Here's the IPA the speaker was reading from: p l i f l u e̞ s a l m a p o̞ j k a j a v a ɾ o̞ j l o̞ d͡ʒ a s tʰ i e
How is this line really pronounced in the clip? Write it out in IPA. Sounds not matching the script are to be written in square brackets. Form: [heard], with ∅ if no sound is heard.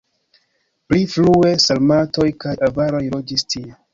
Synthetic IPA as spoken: p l i f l u e̞ s a l m a [t] o̞ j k a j a v a ɾ o̞ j l o̞ d͡ʒ [i] s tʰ i e